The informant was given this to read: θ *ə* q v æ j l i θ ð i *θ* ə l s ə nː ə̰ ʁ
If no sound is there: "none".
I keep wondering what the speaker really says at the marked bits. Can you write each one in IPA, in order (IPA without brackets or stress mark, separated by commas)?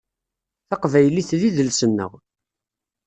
ɑ, ð